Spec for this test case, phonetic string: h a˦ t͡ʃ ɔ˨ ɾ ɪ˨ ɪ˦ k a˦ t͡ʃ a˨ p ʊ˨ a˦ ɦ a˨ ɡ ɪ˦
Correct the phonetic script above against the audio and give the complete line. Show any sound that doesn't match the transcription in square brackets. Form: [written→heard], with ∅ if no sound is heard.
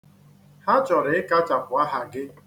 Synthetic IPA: h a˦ t͡ʃ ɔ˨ ɾ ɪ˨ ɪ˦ k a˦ t͡ʃ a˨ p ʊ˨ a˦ ɦ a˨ ɡ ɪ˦

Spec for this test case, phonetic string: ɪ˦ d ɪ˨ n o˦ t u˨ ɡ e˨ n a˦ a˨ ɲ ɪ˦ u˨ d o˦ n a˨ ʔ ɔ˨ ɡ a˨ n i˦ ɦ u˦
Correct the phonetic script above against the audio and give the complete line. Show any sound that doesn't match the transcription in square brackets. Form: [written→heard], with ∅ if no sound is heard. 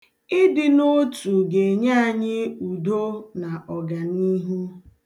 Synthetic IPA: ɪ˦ d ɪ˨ n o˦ t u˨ ɡ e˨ [n→ɲ] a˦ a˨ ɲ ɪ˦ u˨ d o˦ n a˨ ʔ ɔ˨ ɡ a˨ n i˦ ɦ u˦

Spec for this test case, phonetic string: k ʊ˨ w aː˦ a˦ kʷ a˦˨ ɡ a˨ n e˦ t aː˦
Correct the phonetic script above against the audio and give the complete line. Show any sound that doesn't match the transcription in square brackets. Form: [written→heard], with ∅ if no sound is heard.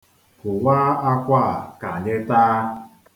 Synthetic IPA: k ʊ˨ w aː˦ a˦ kʷ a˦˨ [ɡ→k] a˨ [n→ɲ] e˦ t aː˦

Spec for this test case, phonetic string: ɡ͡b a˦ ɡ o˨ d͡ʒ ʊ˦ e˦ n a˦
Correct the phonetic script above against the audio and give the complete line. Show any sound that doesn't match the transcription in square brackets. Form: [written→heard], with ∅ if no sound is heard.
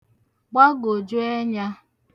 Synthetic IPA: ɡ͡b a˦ ɡ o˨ d͡ʒ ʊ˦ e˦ [n→ɲ] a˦

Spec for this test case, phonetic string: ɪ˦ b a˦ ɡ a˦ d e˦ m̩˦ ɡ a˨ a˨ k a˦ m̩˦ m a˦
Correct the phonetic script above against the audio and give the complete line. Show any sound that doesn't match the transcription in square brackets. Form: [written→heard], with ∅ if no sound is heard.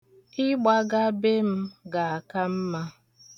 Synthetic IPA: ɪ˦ [b→ɡ͡b] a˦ ɡ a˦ [d→b] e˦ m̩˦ ɡ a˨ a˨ k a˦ m̩˦ m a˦

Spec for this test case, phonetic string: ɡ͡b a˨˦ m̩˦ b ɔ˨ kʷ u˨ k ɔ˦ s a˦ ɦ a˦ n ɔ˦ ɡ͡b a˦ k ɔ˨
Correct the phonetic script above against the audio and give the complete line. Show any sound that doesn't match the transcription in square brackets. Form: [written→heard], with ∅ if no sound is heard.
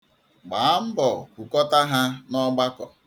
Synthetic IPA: ɡ͡b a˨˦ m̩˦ b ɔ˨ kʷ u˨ k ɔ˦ [s→t] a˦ ɦ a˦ n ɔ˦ ɡ͡b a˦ k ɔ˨

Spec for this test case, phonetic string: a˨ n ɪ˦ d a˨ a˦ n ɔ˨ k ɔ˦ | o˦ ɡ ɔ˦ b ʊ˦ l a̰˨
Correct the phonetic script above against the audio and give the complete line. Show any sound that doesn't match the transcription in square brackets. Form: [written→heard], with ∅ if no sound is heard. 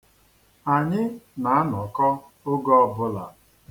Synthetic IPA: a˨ [n→ɲ] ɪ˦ [d→n] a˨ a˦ n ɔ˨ k ɔ˦ | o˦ ɡ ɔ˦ b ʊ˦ l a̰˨

